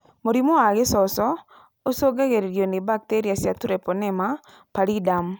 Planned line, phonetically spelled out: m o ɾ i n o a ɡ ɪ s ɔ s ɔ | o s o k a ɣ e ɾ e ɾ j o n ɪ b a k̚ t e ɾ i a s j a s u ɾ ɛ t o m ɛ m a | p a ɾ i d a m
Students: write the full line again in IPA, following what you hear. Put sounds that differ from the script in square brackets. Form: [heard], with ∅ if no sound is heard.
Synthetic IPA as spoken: m o ɾ i [m] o a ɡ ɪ s ɔ s ɔ | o s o [ɡ] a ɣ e ɾ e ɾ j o n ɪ b a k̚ t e ɾ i a s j a [t] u ɾ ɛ [p] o [n] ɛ m a | p a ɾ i d a m